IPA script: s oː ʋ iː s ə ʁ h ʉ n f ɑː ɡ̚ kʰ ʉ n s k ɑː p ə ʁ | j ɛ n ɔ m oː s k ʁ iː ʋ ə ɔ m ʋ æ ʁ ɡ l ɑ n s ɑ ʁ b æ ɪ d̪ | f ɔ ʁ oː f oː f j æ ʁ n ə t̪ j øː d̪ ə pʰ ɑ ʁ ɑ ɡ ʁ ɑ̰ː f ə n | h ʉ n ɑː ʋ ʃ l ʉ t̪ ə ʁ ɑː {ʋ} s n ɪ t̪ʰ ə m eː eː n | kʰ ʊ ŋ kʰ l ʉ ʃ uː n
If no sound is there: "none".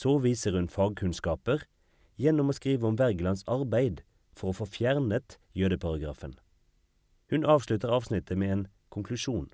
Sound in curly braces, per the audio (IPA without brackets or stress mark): ʋ